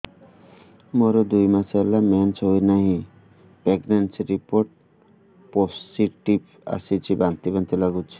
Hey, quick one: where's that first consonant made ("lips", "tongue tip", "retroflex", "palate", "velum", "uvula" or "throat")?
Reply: lips